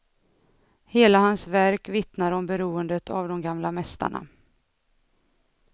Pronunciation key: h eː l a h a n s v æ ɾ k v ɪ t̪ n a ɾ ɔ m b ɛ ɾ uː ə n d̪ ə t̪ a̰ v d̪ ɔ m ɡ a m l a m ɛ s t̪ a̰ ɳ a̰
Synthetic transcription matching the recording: h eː l a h a n s v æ ɾ k v ɪ t̪ n a ɾ ɔ m b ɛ ɾ uː ə n d̪ ə t̪ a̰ v d̪ ɔ m ɡ a m l a m ɛ s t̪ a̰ ɳ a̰